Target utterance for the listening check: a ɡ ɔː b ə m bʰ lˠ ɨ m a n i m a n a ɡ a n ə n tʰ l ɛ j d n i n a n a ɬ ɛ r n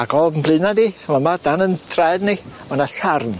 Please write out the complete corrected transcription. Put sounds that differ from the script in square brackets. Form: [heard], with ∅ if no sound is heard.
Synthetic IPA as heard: a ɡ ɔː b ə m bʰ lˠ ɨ [n] a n i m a [m] a [d] a n ə n tʰ [r] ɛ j d n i [m] a n a ɬ [a] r n